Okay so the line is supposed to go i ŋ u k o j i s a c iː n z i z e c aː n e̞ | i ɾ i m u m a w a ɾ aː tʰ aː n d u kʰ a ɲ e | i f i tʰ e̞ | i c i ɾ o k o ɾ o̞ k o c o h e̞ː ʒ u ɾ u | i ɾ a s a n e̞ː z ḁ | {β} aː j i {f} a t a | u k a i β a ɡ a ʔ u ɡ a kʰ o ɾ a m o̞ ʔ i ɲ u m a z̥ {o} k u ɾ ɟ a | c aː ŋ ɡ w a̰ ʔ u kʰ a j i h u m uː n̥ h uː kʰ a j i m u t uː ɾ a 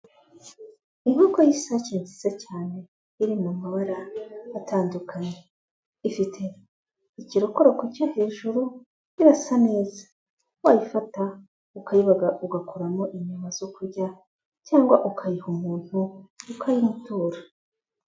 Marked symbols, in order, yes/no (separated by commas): no, yes, yes